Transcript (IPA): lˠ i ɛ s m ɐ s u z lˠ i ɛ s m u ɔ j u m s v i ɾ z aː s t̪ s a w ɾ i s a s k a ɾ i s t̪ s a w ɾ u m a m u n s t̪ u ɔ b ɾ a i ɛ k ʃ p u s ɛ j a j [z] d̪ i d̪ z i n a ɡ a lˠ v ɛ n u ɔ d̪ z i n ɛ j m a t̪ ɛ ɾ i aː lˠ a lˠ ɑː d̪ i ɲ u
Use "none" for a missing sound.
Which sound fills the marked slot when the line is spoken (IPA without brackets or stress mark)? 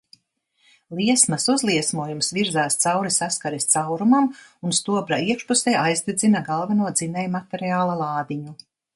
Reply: z